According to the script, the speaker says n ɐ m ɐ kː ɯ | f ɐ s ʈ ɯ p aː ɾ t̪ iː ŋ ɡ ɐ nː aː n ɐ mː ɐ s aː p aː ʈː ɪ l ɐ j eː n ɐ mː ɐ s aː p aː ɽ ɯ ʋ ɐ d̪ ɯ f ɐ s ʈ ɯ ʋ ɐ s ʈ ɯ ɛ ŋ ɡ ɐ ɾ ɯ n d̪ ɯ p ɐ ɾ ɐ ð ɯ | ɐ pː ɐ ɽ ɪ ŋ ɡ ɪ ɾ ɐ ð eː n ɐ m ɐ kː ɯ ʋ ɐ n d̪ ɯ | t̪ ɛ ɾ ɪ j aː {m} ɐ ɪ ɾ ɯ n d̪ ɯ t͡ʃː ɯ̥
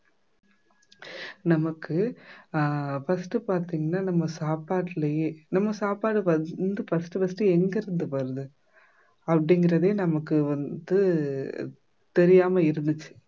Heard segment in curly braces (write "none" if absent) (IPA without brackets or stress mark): m